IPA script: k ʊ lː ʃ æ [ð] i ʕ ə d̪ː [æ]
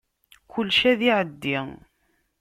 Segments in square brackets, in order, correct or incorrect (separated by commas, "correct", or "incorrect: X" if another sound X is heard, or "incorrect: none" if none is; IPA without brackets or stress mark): correct, incorrect: i